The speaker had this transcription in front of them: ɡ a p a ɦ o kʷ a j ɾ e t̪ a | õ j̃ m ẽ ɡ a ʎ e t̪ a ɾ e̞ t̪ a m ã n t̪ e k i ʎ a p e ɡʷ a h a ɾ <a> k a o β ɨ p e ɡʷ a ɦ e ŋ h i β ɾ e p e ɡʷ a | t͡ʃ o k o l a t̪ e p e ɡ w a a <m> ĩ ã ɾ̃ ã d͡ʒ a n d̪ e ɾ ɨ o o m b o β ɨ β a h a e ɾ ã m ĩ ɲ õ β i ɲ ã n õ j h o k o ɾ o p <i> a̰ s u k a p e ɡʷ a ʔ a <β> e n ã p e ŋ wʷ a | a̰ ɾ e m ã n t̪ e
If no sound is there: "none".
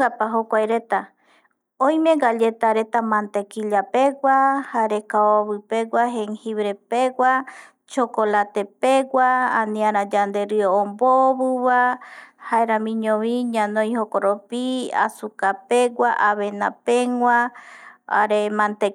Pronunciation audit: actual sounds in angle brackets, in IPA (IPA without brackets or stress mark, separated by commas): e, n, i, β